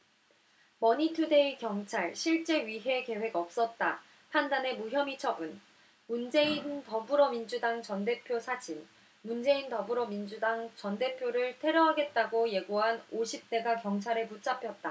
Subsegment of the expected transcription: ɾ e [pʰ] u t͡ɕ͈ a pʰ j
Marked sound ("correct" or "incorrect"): incorrect